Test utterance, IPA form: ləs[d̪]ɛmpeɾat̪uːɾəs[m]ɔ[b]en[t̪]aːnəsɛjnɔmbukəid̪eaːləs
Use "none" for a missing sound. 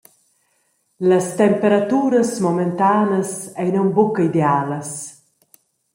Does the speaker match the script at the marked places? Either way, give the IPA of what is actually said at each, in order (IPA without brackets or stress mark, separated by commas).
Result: t̪, m, m, t̪